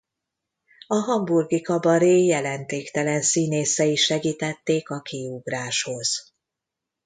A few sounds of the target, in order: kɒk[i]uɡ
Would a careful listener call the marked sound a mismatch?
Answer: no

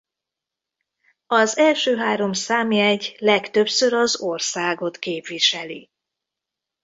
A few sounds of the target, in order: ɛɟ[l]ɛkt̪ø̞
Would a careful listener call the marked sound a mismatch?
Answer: no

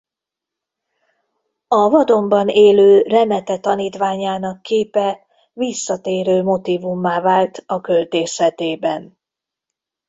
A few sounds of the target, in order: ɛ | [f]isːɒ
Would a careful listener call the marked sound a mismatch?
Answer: yes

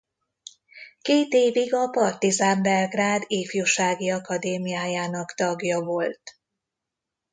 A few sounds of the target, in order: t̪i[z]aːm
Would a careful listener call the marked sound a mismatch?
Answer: no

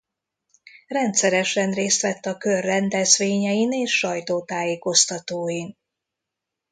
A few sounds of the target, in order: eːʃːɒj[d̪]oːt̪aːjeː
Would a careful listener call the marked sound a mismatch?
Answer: yes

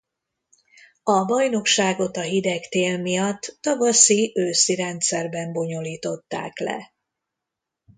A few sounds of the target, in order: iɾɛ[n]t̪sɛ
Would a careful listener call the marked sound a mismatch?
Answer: no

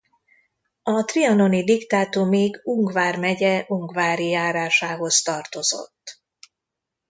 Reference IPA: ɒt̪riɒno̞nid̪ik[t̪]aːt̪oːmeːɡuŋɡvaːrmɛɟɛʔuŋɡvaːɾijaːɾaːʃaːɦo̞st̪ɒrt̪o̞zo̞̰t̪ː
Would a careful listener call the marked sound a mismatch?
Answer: no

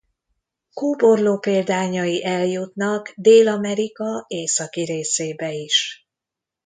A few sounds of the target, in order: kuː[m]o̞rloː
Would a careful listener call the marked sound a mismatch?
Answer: yes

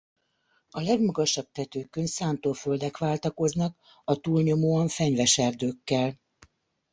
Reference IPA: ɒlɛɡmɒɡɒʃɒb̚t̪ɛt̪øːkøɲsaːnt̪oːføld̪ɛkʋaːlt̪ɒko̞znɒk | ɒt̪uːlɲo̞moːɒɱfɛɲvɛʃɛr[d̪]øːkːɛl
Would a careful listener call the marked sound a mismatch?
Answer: no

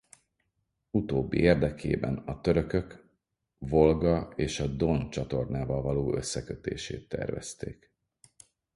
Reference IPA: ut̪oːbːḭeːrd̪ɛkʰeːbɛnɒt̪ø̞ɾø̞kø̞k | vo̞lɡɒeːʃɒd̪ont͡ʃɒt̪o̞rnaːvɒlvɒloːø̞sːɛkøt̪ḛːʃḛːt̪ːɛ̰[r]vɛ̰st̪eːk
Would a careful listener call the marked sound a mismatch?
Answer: no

